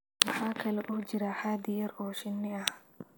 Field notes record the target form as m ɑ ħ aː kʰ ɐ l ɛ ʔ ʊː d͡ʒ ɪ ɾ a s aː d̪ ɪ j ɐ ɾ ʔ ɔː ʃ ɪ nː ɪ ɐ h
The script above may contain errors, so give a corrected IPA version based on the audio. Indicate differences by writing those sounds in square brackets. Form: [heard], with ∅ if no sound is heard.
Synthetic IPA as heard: m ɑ ħ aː kʰ ɐ l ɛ ʔ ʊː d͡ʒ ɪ ɾ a [ħ] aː d̪ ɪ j ɐ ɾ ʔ ɔː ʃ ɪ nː ɪ ɐ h